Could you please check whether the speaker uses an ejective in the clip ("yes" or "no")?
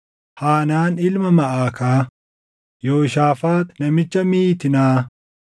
no